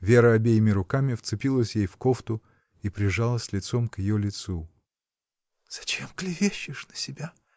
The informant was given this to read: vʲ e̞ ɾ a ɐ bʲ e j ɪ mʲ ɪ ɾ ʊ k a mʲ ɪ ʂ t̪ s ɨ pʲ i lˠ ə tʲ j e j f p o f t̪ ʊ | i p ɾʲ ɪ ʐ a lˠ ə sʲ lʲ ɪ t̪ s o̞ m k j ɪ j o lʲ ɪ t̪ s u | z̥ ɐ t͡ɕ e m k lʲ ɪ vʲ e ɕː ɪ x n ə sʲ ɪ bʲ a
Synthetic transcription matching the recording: vʲ e̞ ɾ ə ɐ bʲ e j ɪ mʲ ɪ ɾ ʊ k a mʲ ɪ f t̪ s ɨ pʲ i lˠ ə sʲ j e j f k o f t̪ ʊ | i p ɾʲ ɪ ʐ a lˠ ə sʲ lʲ ɪ t̪ s o̞ m k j ɪ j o lʲ ɪ t̪ s u | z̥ ɐ t͡ɕ e m k lʲ ɪ vʲ e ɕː ɪ ʂ n ə sʲ ɪ bʲ a